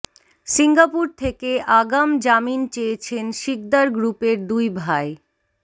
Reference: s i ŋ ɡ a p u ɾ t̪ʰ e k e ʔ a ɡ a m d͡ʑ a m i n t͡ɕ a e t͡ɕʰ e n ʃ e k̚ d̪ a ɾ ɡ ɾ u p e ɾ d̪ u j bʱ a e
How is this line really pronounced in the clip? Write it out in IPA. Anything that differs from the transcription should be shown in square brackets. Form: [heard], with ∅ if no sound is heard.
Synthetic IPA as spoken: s i ŋ ɡ a p u ɾ t̪ʰ e k e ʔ a ɡ a m d͡ʑ a m i n t͡ɕ [e] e t͡ɕʰ e n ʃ [i] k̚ d̪ a ɾ ɡ ɾ u p e ɾ d̪ u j bʱ a e

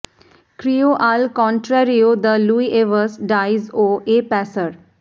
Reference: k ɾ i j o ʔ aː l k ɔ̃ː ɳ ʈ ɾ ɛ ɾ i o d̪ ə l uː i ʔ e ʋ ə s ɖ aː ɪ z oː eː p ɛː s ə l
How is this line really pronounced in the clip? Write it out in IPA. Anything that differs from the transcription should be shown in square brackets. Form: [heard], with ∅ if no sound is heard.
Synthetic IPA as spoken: k ɾ i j o ʔ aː l k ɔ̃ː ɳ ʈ ɾ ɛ ɾ i o d̪ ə l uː i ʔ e ʋ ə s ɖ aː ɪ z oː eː p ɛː s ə [ɾ]

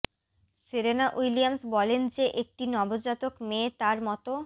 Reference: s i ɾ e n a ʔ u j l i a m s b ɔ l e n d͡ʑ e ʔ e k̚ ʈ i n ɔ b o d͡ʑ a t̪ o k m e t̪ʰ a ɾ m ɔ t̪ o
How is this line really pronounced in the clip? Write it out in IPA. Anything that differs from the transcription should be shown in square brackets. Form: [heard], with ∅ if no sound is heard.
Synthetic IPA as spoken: s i ɾ e n a ʔ u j l i a m s b ɔ l e n d͡ʑ e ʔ e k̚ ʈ i n ɔ b o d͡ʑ a t̪ o k m e [t̪] a ɾ m ɔ t̪ o

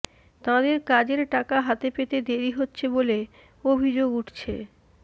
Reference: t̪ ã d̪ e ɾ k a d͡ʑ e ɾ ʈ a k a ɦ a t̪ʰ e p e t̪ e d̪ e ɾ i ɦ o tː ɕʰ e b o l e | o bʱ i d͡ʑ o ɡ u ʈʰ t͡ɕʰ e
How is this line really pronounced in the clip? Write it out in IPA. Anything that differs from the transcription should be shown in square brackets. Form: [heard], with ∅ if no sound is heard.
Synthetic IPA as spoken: t̪ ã d̪ e ɾ k a d͡ʑ e ɾ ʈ a k a ɦ a [t̪] e p e t̪ e d̪ e ɾ i ɦ o tː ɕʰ e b o l e | o bʱ i d͡ʑ o ɡ u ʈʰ t͡ɕʰ e

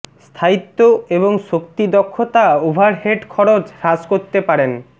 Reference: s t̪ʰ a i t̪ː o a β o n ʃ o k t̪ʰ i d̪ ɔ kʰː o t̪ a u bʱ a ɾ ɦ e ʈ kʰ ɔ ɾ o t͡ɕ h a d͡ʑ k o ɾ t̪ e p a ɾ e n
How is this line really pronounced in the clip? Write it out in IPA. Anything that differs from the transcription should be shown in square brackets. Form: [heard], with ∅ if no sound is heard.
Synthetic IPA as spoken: s t̪ʰ a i t̪ː o [e] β o [ŋ] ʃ o k [t̪] i d̪ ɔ kʰː o t̪ a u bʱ a ɾ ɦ e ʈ kʰ ɔ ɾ o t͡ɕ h a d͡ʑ k o ɾ t̪ e p a ɾ e n

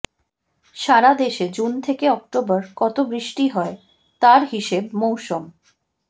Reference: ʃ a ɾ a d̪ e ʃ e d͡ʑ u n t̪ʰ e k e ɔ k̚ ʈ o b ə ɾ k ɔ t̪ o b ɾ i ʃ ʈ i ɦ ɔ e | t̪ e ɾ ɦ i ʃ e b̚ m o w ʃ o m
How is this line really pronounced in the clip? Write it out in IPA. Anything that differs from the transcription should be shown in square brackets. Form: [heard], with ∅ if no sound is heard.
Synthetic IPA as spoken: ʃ a ɾ a d̪ e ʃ e d͡ʑ u n t̪ʰ e k e ɔ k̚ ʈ o b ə ɾ k ɔ t̪ o b ɾ i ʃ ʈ i ɦ ɔ e | t̪ [a] ɾ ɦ i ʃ e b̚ m o w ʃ o m

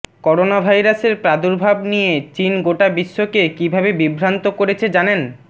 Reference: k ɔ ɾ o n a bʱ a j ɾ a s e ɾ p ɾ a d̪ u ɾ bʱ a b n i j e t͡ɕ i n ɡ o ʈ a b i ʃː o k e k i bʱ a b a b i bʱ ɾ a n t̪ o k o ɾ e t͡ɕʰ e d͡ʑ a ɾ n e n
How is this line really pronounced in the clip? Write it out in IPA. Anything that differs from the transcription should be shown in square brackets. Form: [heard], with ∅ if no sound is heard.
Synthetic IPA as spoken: k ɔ ɾ o n a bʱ a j ɾ a s e ɾ p ɾ a d̪ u ɾ bʱ a b n i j e t͡ɕ i n ɡ o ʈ a b i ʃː o k e k i bʱ a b [e] b i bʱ ɾ a n t̪ o k o ɾ e t͡ɕʰ e d͡ʑ a [∅] n e n

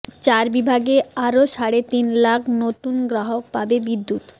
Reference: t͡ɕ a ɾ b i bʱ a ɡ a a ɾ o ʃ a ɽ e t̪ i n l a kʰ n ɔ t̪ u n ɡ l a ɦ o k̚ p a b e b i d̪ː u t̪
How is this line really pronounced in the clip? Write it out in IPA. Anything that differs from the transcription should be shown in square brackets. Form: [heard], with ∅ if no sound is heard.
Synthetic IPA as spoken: t͡ɕ a ɾ b i bʱ a ɡ [e] a ɾ o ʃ a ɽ e t̪ i n l a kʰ n [o] t̪ u n ɡ [ɾ] a ɦ o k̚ p a b e b i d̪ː u t̪

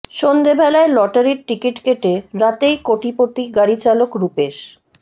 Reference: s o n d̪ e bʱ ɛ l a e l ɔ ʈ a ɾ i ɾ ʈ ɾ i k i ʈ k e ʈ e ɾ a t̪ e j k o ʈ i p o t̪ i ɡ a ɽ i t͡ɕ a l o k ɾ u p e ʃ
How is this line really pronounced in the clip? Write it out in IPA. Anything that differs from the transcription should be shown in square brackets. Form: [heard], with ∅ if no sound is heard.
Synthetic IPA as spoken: [ʃ] o n d̪ e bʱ ɛ l a e l ɔ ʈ a ɾ i ɾ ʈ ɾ i k i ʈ k e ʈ e ɾ a t̪ e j k o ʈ i p o t̪ i ɡ a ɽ i t͡ɕ a l o k ɾ u p e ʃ

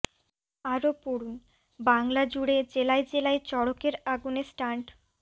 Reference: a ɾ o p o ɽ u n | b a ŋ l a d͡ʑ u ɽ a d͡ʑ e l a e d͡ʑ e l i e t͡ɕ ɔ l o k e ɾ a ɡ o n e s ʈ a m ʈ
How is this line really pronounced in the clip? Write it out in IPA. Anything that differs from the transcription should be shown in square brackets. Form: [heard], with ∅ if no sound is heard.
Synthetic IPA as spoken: a ɾ o p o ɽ u n | b a ŋ l a d͡ʑ u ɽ [e] d͡ʑ e l a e d͡ʑ e l [a] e t͡ɕ ɔ [ɽ] o k e ɾ a ɡ [u] n e s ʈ a [ɳ] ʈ

